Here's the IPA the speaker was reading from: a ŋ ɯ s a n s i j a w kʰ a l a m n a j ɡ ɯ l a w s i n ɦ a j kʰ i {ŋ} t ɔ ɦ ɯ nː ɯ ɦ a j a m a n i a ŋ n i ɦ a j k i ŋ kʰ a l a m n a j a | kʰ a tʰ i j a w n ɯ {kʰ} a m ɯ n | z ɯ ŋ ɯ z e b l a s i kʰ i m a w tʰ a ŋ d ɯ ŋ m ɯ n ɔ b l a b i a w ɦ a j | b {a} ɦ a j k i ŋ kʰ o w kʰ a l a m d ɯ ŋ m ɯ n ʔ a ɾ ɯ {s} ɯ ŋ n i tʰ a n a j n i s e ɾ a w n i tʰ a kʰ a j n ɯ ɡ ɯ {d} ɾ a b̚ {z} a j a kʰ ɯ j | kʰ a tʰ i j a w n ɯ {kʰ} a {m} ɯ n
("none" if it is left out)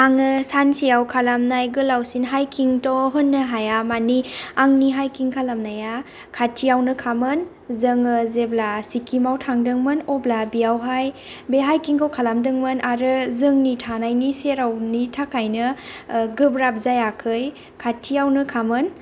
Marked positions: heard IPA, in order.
ŋ, kʰ, e, z, b, z, kʰ, m

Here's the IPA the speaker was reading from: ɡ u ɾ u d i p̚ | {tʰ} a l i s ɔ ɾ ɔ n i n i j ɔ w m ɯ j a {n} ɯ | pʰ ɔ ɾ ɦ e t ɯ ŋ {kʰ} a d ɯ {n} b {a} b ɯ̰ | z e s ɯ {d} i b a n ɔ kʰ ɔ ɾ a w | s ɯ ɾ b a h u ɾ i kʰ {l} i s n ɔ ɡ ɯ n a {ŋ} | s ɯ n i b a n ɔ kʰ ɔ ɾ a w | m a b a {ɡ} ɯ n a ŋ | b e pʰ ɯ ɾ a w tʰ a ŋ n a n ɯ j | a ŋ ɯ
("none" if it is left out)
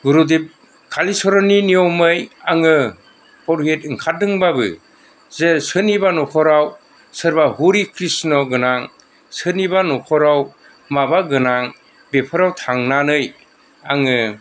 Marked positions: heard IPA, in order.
kʰ, ŋ, kʰ, ŋ, a, n, ɾ, ŋ, ɡ

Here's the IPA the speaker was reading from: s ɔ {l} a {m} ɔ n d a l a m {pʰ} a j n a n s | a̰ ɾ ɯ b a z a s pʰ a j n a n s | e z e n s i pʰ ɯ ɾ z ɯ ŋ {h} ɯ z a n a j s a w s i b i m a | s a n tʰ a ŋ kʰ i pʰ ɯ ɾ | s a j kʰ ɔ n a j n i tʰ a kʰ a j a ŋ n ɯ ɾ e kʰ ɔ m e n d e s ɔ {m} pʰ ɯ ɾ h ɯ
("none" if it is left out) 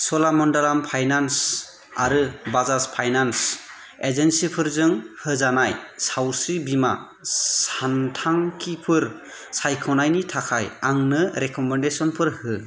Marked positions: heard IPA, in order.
l, m, pʰ, h, n

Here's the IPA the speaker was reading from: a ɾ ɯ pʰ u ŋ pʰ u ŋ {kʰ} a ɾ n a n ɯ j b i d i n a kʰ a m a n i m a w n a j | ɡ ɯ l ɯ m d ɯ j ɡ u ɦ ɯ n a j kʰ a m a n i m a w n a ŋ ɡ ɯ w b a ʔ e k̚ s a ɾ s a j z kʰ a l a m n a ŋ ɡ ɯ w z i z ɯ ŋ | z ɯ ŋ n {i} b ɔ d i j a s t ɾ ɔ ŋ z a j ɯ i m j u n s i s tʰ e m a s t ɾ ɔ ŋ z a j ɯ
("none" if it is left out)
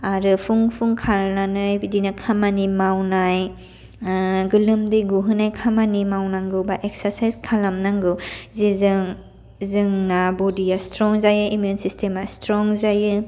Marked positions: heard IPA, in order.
kʰ, a

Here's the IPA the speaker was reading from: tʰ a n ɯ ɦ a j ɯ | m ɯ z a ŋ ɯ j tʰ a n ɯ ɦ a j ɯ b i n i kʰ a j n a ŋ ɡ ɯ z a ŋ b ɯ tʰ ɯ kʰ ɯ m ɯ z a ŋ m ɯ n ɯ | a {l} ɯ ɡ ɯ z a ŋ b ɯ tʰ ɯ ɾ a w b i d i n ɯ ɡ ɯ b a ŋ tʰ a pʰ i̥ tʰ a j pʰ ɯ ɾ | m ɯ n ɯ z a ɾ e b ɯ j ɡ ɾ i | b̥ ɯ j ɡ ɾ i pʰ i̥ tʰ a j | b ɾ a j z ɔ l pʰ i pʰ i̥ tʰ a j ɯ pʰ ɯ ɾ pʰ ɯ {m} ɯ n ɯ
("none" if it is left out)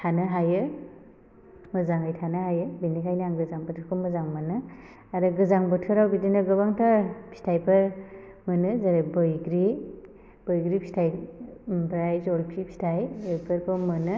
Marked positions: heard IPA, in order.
ɾ, m

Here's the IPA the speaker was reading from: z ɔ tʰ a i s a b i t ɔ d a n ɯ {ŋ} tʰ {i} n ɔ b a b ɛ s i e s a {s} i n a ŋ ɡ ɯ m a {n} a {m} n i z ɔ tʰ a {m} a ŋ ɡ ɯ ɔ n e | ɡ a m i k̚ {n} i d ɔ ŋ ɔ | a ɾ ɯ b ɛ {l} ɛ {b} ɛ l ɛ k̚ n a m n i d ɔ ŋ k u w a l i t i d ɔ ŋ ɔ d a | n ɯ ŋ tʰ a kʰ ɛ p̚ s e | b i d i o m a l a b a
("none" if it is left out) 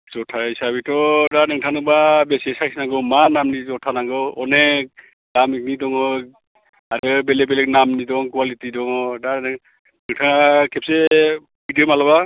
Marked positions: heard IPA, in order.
ŋ, a, s, n, m, n, n, l, b

